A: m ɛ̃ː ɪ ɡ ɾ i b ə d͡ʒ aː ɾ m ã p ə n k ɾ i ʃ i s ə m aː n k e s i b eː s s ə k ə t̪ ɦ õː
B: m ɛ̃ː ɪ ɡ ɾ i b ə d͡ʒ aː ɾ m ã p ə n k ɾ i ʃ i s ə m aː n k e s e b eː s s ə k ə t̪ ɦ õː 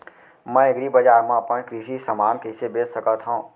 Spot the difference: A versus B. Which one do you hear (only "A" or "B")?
B